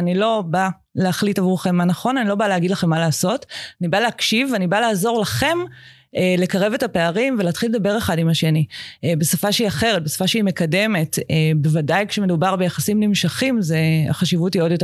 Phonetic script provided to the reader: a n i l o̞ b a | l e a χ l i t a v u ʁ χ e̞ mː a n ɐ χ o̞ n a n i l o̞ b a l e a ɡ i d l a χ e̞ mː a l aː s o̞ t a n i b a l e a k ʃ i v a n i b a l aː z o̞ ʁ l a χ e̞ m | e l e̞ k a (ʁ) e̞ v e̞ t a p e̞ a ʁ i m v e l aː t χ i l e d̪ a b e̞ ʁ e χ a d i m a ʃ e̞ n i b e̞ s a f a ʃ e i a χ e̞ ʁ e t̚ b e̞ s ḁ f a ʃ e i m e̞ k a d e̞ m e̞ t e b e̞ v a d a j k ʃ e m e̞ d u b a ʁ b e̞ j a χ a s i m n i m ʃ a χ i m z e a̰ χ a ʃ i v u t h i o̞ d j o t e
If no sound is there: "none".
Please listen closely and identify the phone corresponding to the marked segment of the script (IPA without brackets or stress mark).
ʁ